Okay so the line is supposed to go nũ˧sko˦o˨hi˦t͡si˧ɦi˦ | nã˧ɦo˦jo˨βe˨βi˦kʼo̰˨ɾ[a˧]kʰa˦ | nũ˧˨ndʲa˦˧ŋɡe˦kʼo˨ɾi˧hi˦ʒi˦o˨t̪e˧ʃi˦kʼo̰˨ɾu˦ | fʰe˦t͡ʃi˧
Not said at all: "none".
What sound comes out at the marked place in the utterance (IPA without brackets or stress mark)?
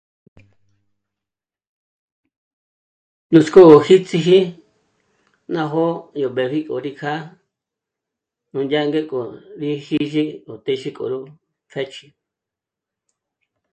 i˧